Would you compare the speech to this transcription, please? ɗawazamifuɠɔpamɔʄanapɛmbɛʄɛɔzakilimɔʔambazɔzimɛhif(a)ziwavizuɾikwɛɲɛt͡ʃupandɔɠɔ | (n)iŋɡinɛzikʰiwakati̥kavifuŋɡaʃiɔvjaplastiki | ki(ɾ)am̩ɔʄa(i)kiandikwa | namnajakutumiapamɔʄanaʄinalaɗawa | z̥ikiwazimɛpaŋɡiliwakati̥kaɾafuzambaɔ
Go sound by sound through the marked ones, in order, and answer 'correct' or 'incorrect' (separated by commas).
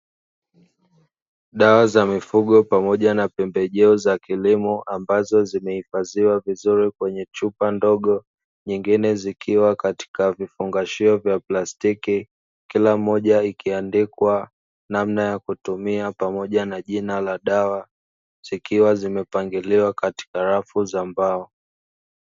correct, incorrect, incorrect, correct